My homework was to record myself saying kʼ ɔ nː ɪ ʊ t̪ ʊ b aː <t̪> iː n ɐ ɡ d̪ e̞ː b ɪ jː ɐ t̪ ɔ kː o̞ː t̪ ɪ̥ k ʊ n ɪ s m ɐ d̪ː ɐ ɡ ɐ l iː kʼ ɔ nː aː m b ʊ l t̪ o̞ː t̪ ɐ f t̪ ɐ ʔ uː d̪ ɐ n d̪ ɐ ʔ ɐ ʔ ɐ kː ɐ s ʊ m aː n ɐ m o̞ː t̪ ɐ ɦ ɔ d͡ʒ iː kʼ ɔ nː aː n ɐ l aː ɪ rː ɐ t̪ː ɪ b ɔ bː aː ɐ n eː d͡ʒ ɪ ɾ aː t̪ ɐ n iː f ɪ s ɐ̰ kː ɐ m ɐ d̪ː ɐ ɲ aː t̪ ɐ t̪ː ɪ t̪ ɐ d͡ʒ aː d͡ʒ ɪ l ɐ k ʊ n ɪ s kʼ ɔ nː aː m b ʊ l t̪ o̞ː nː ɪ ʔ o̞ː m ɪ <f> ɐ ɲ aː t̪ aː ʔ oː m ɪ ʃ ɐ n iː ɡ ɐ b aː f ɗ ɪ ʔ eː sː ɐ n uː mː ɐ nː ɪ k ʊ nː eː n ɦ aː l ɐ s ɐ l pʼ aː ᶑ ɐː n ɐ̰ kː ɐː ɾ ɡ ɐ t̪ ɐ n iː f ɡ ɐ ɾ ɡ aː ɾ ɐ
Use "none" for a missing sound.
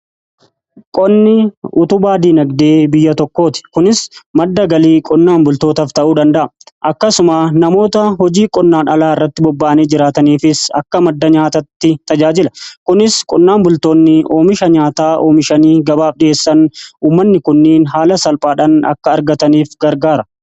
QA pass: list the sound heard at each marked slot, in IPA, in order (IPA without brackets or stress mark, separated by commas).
d̪, ʃ